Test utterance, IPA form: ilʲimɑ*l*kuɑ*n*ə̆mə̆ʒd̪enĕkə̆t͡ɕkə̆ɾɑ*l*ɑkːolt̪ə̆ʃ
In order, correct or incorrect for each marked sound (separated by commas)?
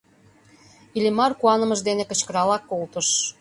incorrect, correct, correct